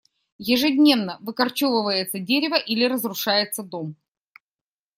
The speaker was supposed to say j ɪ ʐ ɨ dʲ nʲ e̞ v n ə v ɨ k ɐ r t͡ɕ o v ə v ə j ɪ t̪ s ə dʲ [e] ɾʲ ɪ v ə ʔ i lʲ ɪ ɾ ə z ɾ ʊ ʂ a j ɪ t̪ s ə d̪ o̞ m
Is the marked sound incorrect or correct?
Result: correct